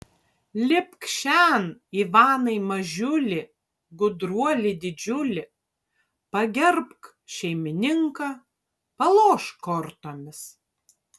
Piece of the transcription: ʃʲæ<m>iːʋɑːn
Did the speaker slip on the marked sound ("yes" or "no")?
yes